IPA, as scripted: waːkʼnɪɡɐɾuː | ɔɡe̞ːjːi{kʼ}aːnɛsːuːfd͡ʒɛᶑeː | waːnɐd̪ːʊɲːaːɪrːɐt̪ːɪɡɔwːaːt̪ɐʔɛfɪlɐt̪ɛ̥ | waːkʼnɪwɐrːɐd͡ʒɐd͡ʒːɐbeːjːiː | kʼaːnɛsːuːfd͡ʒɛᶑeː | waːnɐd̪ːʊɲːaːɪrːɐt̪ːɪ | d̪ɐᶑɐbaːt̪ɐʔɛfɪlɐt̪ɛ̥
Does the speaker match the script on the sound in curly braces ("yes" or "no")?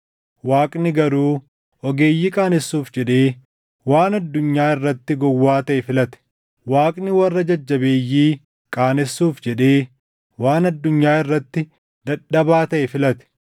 yes